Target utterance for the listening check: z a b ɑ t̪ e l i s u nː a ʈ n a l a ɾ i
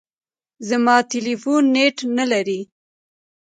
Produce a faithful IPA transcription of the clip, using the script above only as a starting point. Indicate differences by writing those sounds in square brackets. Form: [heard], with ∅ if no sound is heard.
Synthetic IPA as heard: z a [m] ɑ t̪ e l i [f] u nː [e] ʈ n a l a ɾ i